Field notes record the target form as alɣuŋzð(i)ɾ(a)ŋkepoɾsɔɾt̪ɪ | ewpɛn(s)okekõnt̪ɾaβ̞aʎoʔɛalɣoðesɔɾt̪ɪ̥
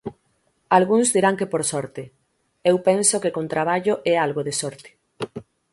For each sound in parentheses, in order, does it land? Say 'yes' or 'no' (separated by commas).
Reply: yes, yes, yes